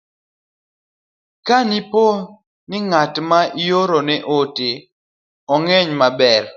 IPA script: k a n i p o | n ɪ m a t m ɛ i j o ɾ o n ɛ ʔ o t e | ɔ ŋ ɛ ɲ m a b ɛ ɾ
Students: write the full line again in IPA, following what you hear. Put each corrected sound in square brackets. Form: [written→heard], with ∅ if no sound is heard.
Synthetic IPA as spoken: k a n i p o | n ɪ [m→ŋ] a t m [ɛ→a] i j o ɾ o n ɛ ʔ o t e | ɔ ŋ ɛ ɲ m a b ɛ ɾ